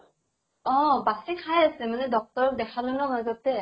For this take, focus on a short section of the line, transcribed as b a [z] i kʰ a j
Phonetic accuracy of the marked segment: incorrect: s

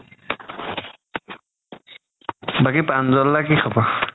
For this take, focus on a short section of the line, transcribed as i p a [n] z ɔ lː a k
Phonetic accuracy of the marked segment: correct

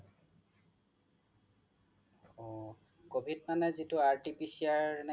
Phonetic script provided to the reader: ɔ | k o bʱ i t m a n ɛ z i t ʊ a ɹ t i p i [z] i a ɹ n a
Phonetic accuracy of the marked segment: incorrect: s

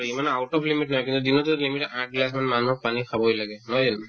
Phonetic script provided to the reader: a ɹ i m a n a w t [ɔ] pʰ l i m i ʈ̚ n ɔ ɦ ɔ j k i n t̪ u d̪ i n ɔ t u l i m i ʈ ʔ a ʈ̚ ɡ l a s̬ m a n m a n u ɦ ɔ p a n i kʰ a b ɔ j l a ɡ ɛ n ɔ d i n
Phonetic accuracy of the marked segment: correct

